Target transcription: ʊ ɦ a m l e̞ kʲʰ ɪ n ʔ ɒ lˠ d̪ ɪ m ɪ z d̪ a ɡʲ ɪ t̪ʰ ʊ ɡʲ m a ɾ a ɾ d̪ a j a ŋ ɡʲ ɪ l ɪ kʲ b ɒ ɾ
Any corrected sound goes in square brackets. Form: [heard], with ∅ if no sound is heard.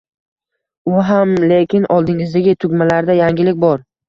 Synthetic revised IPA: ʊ ɦ a m l e̞ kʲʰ ɪ n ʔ ɒ lˠ d̪ ɪ [ŋ] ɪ z d̪ a ɡʲ ɪ t̪ʰ ʊ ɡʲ m a [l] a ɾ d̪ a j a ŋ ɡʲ ɪ l ɪ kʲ b ɒ ɾ